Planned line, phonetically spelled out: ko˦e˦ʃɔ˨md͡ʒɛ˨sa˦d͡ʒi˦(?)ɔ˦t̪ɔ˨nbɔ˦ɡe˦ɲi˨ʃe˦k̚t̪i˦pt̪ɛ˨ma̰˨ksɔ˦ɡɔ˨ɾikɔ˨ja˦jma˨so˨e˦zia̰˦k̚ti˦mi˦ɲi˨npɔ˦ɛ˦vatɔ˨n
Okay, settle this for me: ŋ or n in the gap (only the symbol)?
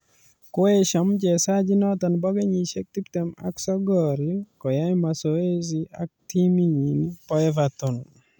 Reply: n